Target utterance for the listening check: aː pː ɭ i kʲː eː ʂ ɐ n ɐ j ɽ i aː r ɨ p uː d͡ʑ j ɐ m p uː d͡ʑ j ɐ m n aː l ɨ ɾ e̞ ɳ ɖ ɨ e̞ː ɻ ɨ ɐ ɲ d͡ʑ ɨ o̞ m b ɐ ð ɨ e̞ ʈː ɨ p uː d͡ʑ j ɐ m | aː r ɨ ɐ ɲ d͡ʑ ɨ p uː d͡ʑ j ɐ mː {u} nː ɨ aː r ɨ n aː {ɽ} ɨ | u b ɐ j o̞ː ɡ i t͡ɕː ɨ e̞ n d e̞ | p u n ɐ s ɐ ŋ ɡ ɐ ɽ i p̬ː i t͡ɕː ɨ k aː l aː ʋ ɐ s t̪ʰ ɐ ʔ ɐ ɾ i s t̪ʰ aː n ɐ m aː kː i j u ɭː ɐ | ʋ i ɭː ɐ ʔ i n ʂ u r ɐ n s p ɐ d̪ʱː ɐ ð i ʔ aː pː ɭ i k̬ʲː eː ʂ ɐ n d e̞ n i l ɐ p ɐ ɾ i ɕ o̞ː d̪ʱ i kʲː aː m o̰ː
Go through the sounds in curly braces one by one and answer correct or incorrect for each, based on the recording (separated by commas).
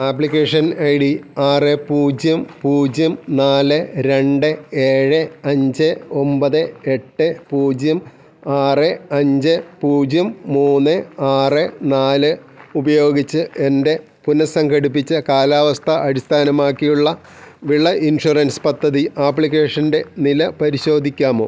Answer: incorrect, incorrect